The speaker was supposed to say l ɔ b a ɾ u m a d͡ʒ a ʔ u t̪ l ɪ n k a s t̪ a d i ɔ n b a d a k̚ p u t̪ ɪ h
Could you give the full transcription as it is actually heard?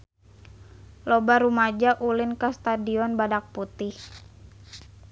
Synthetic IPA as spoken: l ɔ b a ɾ u m a d͡ʒ a ʔ u l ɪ n k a s t̪ a d i ɔ n b a d a k̚ p u t̪ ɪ h